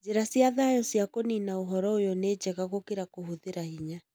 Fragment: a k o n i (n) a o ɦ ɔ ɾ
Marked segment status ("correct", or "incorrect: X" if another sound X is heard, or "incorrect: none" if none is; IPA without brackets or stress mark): correct